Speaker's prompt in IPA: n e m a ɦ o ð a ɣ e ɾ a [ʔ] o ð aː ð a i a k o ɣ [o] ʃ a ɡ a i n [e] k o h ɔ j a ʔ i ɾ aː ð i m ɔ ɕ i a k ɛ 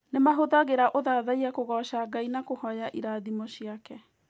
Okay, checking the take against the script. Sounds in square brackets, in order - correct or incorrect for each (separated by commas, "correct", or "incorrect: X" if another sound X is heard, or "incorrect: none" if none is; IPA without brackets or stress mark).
correct, incorrect: ɔ, incorrect: a